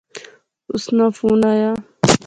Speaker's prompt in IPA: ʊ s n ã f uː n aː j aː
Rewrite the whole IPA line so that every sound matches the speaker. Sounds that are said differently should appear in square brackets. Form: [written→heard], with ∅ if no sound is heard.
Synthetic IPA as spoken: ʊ s n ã f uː n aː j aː